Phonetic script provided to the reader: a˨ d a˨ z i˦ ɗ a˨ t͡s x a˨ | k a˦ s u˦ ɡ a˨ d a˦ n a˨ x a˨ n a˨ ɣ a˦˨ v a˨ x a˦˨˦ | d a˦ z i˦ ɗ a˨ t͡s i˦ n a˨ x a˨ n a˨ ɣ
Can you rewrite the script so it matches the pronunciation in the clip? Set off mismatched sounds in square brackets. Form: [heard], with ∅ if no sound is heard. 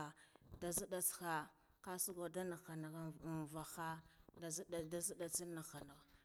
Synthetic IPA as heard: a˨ d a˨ z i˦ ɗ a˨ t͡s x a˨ | k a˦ s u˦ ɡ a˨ d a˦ n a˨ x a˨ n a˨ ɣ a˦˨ v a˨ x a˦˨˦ | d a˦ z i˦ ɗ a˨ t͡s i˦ n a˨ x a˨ n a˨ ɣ

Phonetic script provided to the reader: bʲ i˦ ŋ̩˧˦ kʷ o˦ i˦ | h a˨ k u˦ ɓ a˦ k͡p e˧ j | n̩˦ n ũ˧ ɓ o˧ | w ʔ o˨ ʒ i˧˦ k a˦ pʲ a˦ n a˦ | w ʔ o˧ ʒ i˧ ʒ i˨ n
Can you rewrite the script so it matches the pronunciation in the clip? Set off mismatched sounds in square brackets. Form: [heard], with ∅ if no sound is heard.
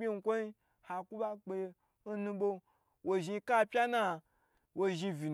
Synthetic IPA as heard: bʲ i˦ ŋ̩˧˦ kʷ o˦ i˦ | h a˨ k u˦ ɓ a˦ k͡p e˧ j | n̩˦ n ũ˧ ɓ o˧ | w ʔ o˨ ʒ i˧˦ k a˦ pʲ a˦ n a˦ | w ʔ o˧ ʒ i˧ [v] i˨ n

